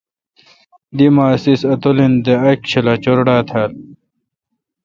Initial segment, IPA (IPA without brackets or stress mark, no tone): d̪